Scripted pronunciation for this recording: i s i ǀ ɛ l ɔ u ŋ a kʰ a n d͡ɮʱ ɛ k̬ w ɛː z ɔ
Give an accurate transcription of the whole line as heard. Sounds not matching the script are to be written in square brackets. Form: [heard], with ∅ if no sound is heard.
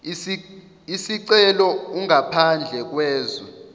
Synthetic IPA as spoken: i s i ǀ ɛ l ɔ u ŋ a [pʰ] a n d͡ɮʱ ɛ k̬ w ɛː z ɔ